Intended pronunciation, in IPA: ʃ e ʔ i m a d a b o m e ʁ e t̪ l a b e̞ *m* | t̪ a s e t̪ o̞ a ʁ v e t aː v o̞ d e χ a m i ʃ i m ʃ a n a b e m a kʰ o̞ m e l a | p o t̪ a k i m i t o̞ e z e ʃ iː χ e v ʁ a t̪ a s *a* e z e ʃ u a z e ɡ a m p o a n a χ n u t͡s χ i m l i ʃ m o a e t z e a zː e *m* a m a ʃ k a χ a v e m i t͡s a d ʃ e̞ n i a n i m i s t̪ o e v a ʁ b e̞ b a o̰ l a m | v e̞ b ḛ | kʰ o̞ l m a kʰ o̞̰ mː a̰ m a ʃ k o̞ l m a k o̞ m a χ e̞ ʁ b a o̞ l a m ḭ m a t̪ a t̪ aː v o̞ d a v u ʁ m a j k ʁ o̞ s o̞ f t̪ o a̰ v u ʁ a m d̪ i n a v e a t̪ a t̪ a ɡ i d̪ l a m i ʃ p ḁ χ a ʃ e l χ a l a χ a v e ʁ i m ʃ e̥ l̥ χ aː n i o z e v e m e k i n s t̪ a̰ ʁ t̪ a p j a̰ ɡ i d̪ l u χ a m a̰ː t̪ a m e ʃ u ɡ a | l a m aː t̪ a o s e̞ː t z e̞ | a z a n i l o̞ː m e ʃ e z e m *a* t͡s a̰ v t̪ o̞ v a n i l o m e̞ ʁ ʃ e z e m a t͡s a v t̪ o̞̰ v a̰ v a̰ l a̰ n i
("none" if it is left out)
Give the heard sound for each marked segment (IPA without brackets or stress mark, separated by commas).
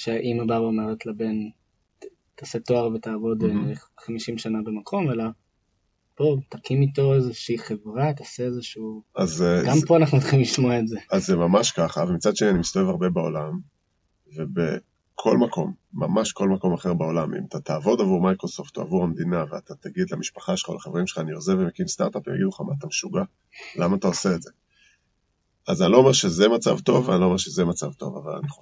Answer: n, e, m, a